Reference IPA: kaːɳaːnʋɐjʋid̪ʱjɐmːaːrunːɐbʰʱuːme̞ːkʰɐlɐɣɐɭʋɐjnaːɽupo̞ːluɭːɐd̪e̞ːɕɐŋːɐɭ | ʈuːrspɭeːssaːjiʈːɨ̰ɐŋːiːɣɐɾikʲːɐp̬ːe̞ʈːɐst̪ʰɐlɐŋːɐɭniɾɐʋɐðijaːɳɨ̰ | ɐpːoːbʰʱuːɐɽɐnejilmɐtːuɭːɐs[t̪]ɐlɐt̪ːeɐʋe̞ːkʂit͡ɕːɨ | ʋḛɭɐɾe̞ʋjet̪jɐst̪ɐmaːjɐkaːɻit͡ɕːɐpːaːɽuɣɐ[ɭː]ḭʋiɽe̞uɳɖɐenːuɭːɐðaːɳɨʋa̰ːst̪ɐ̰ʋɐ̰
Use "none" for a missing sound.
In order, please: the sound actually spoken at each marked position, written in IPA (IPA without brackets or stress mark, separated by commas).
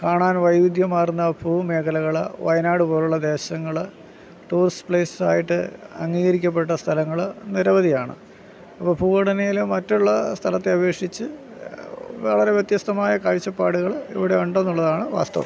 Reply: t̪ʰ, ɭ